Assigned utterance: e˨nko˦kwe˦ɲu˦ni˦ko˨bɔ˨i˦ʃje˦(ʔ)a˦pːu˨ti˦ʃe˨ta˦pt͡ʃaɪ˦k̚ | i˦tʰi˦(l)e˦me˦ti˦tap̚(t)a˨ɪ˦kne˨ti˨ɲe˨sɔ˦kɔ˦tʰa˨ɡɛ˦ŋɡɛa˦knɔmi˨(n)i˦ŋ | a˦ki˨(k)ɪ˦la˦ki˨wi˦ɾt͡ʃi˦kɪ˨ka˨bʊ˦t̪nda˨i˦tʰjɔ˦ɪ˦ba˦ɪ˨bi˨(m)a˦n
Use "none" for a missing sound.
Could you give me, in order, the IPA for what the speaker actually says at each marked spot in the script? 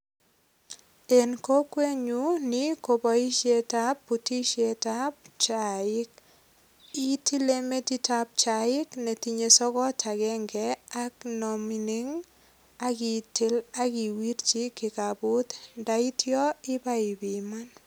t, l, t͡ʃ, n, t, m

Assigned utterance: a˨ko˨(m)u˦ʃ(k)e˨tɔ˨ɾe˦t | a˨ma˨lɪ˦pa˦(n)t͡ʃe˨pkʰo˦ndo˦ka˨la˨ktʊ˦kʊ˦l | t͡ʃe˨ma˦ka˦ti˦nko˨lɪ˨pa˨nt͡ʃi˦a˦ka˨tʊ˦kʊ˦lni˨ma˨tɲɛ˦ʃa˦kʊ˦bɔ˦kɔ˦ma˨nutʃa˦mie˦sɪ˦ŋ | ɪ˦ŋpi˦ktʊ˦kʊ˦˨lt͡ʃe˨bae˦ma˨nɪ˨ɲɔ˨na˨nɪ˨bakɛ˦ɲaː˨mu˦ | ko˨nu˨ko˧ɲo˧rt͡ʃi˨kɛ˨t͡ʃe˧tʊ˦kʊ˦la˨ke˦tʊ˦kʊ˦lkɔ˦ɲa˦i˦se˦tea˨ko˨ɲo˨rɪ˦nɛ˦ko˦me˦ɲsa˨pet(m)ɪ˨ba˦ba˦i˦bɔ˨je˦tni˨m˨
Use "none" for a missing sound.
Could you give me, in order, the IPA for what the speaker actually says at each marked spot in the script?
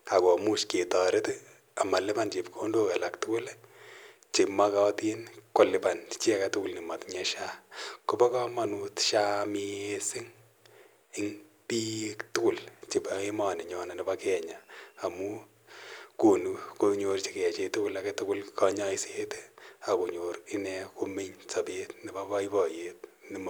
m, k, n, n

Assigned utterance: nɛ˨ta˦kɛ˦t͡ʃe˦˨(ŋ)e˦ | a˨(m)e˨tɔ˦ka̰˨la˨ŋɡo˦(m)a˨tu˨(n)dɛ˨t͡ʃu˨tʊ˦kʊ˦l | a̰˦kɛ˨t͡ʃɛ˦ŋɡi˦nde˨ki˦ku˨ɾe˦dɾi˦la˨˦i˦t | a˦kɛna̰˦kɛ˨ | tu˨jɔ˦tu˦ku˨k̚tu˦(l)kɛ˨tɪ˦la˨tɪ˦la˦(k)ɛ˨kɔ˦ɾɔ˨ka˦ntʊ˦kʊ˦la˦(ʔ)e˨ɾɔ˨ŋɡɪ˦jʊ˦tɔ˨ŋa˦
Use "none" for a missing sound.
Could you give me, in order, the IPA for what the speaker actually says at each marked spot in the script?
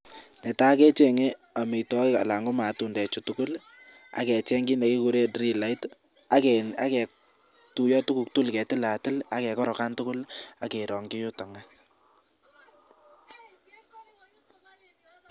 ŋ, m, m, n, l, k, k

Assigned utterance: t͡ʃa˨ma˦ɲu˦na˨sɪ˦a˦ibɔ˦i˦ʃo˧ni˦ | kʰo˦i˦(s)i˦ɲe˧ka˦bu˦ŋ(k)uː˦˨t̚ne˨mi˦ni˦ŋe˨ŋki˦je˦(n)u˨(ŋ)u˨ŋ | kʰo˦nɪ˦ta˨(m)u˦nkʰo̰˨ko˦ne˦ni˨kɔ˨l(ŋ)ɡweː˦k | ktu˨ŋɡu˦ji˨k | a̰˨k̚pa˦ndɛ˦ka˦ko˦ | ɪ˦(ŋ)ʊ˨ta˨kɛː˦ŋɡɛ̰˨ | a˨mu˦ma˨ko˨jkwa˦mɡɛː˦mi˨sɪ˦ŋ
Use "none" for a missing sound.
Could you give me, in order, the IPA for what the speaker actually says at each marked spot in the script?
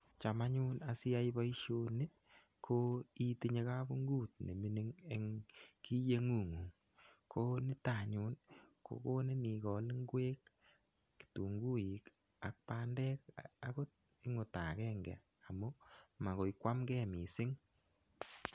t, ɡ, ŋ, ŋ, ɲ, ŋ, ŋ

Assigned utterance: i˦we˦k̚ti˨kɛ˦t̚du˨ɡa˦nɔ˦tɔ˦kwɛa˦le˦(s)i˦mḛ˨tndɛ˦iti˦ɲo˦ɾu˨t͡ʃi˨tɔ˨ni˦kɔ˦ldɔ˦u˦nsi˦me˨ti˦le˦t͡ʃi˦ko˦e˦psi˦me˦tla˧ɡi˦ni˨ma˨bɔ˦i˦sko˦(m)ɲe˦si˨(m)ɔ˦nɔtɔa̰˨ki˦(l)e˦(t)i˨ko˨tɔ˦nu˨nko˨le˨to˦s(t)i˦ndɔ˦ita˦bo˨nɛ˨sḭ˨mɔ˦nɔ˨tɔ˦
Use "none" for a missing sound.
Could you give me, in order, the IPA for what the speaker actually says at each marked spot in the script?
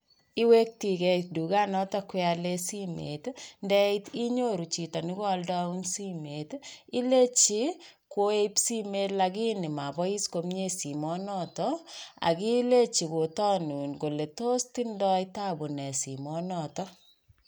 s, m, m, l, t͡ʃ, t

